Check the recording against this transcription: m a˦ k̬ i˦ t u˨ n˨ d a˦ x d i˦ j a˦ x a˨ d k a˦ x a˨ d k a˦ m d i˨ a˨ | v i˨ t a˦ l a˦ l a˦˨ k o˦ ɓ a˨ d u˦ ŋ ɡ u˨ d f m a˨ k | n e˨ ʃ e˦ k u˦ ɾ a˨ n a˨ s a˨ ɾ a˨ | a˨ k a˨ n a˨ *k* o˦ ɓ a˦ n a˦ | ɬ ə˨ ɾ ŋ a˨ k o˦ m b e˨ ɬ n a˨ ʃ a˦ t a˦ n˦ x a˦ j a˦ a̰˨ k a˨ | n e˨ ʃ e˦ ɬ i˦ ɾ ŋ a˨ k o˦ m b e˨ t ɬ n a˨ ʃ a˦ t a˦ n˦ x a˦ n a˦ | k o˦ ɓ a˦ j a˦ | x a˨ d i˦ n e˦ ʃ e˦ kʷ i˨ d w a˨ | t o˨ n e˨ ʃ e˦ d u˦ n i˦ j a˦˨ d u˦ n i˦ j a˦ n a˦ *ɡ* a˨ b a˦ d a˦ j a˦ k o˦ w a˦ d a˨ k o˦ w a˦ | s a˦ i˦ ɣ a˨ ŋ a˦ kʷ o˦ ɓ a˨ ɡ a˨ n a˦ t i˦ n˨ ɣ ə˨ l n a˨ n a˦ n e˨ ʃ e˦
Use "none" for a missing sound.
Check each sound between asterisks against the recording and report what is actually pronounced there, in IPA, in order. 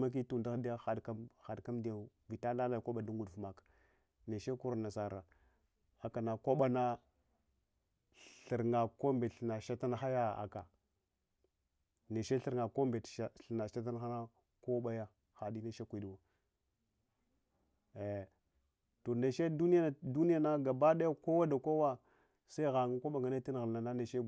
k, ɡ

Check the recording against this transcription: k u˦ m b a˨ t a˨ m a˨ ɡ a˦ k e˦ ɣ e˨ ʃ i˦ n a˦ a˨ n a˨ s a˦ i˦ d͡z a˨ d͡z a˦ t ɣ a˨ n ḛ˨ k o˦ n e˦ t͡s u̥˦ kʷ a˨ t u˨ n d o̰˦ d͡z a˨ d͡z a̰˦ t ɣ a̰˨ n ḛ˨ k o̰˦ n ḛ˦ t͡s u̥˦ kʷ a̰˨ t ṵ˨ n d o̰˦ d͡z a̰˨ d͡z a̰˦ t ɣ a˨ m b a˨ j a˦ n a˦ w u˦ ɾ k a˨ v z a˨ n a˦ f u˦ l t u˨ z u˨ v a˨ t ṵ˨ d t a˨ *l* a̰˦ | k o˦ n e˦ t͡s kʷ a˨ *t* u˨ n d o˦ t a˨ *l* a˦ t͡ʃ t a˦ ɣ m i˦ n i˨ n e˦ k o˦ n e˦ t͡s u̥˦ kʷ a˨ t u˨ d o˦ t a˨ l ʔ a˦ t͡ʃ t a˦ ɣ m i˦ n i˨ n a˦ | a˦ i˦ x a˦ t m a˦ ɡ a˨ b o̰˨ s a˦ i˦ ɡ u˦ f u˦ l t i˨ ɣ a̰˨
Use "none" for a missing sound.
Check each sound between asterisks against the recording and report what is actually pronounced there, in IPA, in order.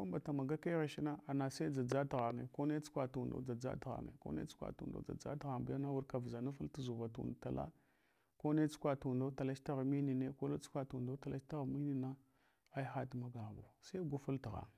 l, t, l

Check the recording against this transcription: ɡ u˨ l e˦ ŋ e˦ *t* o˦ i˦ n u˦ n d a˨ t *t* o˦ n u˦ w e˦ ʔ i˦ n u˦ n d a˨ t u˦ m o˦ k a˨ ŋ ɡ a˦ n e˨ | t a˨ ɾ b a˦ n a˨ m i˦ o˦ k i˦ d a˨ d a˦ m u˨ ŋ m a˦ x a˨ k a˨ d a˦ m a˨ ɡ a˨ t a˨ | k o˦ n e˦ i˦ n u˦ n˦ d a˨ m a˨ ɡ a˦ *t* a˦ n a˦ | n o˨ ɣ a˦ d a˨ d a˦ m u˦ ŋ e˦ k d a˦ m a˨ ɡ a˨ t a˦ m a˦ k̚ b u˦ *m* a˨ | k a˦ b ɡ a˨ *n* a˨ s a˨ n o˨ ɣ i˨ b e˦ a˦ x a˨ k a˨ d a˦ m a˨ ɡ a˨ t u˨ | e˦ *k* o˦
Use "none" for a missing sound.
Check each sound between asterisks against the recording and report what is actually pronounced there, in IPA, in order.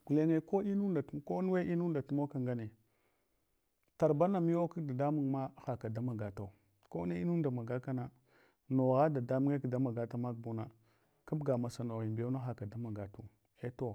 k, k, k, n, m, t

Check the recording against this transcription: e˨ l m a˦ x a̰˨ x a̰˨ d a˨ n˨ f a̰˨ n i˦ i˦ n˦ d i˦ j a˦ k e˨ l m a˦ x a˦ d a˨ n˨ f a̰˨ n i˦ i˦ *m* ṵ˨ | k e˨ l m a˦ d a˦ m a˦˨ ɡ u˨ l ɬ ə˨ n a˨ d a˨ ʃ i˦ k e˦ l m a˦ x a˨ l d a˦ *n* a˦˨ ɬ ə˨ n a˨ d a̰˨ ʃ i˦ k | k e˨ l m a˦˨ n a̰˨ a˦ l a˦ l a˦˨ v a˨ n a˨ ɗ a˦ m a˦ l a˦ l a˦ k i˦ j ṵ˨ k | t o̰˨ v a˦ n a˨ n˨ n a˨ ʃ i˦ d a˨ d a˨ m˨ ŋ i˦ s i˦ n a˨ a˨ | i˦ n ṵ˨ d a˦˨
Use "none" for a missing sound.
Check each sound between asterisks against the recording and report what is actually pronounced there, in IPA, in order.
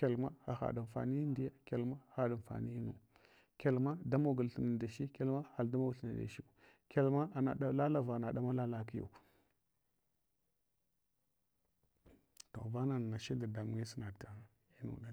n, m

